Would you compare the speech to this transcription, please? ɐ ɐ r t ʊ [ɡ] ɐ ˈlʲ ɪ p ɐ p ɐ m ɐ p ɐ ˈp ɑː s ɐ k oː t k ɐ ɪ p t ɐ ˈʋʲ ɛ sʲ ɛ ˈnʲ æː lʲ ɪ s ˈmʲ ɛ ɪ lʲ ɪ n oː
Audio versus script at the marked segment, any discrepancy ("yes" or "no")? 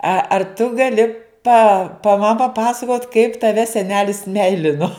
no